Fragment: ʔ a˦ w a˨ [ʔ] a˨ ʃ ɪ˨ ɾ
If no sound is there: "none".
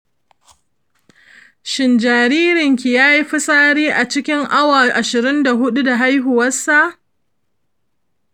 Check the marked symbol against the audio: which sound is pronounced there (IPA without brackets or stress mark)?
ʔ